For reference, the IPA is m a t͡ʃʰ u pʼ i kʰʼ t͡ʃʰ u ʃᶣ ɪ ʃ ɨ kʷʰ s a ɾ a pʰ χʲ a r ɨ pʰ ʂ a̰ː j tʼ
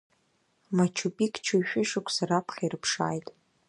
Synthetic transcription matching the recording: m a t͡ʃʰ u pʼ i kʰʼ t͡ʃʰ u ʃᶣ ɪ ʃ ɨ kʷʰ s a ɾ a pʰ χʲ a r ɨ pʰ ʂ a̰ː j tʼ